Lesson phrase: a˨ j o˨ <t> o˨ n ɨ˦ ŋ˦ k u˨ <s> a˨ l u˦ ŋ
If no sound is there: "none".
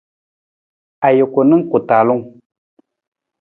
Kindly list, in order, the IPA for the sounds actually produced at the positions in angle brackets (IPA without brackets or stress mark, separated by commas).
k, t